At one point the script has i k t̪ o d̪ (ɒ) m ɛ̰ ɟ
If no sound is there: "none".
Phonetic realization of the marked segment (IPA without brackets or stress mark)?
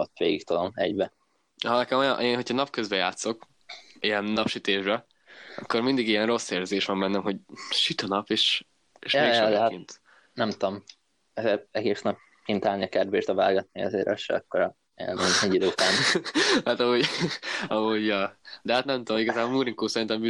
o